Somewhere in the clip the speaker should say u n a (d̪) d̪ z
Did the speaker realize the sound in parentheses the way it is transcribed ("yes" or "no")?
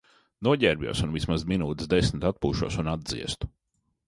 yes